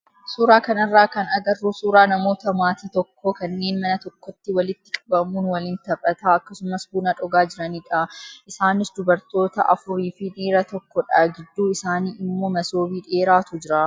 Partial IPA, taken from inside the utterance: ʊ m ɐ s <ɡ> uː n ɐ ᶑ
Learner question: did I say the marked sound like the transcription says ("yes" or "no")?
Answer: no